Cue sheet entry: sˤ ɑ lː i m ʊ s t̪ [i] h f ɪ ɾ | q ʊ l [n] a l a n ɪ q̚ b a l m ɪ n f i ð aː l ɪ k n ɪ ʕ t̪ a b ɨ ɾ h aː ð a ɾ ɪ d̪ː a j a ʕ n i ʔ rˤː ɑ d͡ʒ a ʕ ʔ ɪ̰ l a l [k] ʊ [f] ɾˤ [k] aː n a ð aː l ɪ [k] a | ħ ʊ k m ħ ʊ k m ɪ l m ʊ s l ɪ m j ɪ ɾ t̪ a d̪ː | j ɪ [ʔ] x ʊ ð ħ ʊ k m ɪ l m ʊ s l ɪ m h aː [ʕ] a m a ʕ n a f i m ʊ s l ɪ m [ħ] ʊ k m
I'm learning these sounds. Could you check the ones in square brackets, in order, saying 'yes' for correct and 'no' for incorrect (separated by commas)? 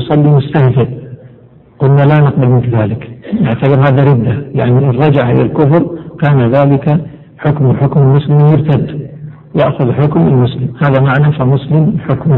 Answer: no, yes, yes, yes, yes, yes, yes, no, yes